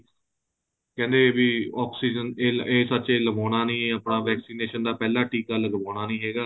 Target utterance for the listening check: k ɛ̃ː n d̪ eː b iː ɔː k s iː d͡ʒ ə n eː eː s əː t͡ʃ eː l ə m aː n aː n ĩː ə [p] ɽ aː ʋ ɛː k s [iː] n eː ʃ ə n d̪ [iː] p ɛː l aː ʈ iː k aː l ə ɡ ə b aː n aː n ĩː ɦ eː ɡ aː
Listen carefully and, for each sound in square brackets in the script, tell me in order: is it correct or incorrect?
correct, correct, incorrect

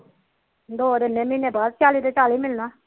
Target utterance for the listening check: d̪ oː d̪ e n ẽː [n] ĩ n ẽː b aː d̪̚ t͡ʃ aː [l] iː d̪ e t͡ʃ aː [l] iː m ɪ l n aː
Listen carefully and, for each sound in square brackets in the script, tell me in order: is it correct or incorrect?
incorrect, correct, correct

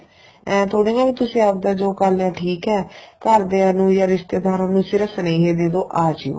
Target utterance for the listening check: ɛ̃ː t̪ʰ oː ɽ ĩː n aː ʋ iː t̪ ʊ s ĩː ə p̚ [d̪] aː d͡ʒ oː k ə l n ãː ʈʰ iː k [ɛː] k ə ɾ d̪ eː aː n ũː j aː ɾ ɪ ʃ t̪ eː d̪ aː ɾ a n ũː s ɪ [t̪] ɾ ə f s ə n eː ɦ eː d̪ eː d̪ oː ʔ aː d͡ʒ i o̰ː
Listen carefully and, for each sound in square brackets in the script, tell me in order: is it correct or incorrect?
correct, correct, incorrect

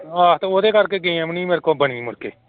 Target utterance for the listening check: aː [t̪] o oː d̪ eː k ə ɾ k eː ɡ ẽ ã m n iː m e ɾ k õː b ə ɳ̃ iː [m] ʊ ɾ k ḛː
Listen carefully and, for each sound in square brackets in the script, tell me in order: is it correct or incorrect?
correct, correct

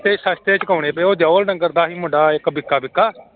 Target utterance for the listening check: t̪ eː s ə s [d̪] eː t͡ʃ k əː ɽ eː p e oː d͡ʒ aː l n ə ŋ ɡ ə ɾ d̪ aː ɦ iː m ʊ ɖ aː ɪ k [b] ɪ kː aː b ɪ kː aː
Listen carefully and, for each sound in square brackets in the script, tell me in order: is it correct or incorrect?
incorrect, correct

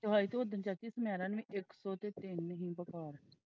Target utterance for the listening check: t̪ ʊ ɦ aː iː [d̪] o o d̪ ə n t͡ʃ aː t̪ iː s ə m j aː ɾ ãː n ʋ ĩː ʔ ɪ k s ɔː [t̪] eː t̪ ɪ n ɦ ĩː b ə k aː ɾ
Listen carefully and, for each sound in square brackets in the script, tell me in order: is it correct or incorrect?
incorrect, correct

